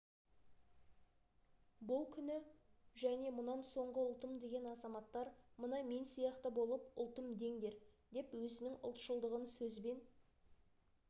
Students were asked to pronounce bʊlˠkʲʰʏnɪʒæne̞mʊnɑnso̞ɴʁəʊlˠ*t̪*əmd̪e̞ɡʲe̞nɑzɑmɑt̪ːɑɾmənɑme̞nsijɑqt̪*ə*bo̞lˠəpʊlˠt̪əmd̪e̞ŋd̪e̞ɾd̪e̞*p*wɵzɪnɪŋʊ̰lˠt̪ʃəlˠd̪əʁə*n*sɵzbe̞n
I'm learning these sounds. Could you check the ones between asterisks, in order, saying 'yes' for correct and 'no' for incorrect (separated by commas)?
yes, yes, yes, yes